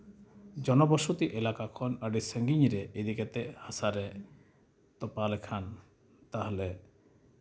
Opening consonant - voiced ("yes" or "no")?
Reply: yes